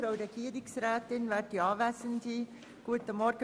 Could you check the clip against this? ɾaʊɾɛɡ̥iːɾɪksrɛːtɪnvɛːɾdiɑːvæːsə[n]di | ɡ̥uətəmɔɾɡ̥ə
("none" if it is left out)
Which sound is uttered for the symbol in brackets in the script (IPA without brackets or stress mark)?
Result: n